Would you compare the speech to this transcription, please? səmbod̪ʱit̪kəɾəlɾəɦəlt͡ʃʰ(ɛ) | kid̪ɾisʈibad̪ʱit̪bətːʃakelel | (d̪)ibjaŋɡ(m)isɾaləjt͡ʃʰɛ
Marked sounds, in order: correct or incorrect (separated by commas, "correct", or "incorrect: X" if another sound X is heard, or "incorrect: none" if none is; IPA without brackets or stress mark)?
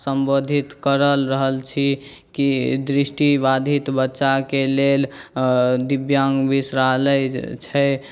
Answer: incorrect: i, correct, incorrect: b